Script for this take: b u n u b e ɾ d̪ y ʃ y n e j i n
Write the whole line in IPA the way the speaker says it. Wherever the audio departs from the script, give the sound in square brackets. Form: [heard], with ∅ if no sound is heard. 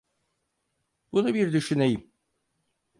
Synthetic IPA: b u n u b [i] ɾ d̪ y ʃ y n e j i [m]